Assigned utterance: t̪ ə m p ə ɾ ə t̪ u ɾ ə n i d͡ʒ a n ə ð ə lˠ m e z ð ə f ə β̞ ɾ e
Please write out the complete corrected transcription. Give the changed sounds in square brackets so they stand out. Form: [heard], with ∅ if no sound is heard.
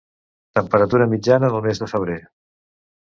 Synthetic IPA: t̪ ə m p ə ɾ ə t̪ u ɾ ə [m] i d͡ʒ a n ə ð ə lˠ m e z ð ə f ə β̞ ɾ e